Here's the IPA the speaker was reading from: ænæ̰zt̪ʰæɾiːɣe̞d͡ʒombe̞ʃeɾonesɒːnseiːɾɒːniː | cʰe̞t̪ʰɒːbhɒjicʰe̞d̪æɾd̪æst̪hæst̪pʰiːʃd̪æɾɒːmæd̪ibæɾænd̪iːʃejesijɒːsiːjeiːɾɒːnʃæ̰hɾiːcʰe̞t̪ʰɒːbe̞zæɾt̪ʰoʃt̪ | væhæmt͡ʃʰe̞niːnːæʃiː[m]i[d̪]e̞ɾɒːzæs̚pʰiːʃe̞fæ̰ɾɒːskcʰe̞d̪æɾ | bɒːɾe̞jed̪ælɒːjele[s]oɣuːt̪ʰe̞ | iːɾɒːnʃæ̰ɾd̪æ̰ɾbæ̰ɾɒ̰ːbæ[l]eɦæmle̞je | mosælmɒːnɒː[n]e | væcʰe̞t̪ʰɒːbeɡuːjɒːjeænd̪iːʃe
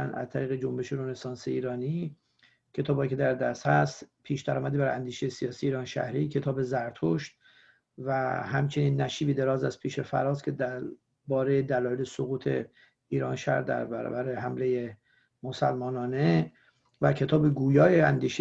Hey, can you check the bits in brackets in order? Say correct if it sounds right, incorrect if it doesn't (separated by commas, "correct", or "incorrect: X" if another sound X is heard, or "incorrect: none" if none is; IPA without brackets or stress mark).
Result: incorrect: b, correct, correct, incorrect: ɾ, correct